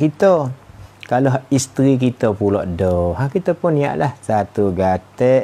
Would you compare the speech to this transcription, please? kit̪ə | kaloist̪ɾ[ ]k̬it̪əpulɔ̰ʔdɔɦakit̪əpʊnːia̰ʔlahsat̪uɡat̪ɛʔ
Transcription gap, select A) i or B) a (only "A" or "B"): A